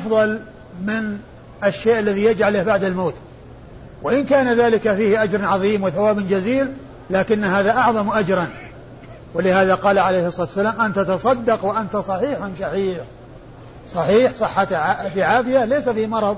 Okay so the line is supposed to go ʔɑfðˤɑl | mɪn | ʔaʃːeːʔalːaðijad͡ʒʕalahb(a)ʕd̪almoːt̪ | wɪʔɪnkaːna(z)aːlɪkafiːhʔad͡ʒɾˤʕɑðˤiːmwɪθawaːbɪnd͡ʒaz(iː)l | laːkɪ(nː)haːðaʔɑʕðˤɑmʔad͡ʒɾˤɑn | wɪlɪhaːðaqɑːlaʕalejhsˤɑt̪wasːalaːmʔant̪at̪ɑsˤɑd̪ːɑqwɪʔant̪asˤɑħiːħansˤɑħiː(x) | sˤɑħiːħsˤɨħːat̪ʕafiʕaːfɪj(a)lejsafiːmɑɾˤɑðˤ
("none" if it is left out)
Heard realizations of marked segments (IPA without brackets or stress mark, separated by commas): a, ð, iː, nː, ħ, a